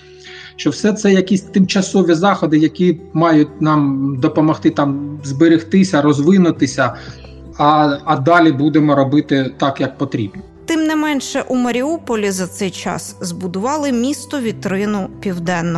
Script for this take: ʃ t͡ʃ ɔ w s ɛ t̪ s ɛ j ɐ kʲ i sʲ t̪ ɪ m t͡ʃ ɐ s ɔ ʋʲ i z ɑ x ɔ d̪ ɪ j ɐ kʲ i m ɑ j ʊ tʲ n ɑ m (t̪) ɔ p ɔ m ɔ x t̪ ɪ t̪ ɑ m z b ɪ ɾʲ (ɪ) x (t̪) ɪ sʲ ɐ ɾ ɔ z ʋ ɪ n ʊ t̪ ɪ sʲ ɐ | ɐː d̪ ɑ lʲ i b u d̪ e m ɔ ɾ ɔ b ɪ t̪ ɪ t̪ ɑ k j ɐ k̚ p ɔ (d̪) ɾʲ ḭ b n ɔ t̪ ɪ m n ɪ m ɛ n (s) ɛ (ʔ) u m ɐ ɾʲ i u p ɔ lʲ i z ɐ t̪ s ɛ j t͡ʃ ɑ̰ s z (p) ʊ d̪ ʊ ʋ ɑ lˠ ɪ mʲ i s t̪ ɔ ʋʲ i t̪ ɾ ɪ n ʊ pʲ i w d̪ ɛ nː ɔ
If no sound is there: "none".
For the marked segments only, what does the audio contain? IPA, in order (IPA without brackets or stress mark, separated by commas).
d̪, ɪ, t̪, t̪, ʃ, ʔ, b